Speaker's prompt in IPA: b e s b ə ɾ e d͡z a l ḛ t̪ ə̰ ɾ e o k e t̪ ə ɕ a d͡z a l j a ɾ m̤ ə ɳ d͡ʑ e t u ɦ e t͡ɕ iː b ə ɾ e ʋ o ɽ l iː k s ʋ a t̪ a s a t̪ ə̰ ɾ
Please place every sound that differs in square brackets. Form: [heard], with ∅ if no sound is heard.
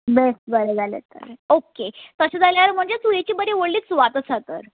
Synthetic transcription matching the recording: b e s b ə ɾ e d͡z a l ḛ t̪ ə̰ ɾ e o k e t̪ ə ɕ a d͡z a l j a ɾ m̤ ə ɳ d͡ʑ e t u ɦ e t͡ɕ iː b ə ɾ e ʋ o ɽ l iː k s ʋ a t̪ [ə] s a t̪ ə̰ ɾ